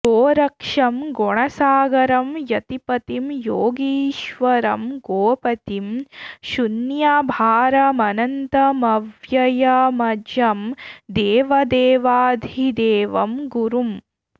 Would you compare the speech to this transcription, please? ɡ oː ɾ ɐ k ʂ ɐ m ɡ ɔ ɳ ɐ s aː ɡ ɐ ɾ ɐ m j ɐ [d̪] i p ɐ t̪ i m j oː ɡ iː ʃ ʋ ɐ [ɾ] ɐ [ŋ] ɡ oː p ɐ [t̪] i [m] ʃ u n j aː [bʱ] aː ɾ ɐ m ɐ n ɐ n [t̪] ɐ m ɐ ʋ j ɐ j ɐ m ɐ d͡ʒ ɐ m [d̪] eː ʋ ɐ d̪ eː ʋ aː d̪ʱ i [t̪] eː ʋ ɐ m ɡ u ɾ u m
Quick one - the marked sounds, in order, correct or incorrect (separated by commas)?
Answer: incorrect, correct, incorrect, correct, correct, correct, correct, correct, incorrect